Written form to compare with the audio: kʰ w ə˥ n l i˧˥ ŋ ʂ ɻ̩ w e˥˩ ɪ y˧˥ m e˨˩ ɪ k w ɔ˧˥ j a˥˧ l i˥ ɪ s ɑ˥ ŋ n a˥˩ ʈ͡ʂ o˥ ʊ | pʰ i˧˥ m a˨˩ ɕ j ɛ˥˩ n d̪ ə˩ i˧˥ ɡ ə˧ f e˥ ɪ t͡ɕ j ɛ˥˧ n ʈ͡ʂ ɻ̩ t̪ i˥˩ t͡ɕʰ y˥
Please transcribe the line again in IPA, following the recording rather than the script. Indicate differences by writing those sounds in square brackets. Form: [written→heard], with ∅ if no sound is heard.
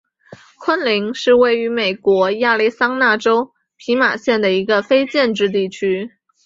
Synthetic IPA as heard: kʰ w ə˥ n l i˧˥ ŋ ʂ ɻ̩ w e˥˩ ɪ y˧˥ m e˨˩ ɪ k w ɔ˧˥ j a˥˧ l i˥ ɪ s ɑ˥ ŋ n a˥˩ ʈ͡ʂ o˥ ʊ | pʰ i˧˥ m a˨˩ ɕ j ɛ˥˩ n d̪ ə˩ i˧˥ ɡ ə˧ f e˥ ɪ t͡ɕ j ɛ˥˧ n ʈ͡ʂ ɻ̩ t̪ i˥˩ t͡ɕʰ y˥